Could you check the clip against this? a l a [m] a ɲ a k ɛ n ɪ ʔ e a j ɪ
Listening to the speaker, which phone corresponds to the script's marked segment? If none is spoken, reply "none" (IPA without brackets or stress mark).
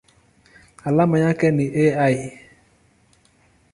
m